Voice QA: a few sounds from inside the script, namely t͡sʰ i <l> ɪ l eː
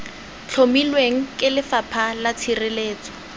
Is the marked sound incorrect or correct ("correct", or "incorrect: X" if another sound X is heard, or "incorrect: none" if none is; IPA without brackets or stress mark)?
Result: incorrect: r